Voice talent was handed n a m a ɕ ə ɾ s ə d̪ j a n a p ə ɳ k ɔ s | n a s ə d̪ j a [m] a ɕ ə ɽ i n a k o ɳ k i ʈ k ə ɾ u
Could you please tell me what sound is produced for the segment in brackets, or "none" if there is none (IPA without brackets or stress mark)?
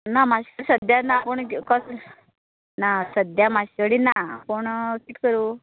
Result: m